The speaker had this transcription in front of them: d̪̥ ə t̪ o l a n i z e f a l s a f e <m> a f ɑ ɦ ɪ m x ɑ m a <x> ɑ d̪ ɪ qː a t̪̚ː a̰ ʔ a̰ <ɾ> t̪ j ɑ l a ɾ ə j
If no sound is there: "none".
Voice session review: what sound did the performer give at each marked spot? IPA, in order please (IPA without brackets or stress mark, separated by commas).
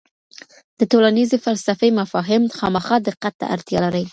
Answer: m, x, ɾ